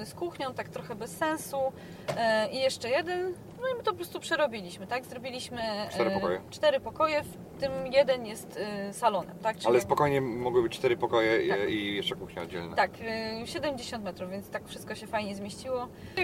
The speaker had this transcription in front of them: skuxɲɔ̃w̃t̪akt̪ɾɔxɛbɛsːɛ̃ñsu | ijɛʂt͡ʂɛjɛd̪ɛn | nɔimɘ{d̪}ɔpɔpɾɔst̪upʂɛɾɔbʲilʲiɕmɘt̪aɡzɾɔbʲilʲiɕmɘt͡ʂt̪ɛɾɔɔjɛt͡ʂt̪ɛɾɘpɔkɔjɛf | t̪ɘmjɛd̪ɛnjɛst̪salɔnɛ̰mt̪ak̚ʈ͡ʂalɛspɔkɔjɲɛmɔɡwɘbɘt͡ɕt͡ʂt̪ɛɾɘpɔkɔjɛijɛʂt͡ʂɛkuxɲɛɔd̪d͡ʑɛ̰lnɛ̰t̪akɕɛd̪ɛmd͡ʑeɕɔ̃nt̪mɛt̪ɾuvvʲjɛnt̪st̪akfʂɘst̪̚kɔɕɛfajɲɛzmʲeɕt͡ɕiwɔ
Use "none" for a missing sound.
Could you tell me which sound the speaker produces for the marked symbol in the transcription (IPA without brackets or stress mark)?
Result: t̪